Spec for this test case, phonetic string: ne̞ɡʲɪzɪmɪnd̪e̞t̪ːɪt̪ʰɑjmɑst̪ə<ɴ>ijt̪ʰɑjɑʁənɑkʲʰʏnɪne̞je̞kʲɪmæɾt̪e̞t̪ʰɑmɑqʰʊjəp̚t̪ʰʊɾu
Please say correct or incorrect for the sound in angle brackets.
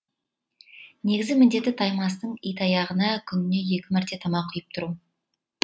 correct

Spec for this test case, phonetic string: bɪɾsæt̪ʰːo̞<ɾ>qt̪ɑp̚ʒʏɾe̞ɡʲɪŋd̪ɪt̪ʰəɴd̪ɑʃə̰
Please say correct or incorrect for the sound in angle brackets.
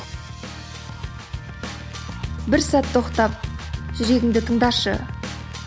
incorrect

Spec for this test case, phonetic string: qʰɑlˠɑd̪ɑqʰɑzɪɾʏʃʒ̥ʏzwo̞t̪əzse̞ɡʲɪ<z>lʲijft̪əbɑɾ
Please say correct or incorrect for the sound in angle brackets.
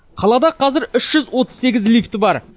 correct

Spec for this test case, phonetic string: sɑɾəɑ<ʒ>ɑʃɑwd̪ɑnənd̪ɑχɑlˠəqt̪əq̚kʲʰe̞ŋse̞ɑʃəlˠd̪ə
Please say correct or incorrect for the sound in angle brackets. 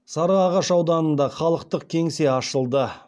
incorrect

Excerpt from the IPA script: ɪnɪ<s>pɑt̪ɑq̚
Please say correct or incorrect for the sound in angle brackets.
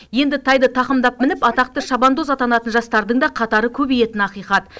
incorrect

